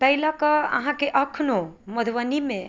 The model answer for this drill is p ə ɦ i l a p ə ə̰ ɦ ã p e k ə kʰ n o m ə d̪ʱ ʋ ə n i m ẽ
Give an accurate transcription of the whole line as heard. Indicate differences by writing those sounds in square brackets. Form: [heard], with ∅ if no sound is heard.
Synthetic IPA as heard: p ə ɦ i l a [k] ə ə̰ ɦ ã [k] e [ʔ] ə kʰ n o m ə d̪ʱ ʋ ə n i m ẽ